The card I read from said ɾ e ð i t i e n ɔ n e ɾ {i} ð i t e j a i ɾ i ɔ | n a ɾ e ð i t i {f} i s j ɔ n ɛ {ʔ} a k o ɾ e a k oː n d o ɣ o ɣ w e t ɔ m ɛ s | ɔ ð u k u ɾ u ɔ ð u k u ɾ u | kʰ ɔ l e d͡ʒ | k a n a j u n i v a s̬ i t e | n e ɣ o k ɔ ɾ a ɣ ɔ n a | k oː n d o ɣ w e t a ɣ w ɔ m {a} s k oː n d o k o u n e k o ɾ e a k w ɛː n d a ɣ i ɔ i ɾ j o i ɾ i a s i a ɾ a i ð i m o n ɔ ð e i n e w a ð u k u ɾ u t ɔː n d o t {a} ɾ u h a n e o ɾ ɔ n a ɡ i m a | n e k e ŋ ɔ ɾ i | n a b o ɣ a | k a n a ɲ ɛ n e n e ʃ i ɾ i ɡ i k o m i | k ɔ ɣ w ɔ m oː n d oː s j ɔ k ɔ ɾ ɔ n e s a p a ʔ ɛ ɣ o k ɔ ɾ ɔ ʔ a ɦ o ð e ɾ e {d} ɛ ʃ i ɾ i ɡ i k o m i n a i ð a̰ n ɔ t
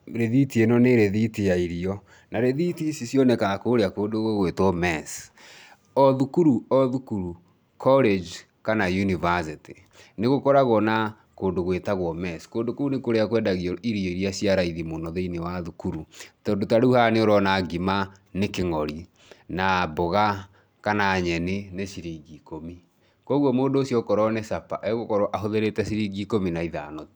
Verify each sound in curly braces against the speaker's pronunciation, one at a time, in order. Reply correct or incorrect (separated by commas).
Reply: incorrect, incorrect, incorrect, incorrect, correct, incorrect